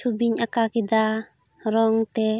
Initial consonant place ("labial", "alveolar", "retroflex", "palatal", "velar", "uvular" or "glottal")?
labial